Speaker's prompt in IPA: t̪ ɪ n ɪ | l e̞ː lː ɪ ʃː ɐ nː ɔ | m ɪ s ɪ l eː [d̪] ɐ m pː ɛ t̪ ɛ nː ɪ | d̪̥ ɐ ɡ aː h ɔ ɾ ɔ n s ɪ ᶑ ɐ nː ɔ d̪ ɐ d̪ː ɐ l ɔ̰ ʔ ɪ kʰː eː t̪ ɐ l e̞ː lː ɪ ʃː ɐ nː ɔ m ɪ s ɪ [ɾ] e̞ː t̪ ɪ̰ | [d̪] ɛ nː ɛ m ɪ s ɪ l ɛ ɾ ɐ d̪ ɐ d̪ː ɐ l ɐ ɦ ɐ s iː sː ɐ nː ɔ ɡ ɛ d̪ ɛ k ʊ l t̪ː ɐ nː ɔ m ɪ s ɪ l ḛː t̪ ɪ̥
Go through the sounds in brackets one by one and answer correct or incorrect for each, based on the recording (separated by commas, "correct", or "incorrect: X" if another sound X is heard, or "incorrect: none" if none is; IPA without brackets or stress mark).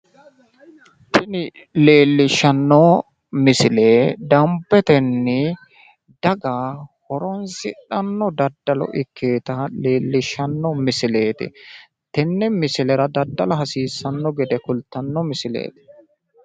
correct, incorrect: l, incorrect: t̪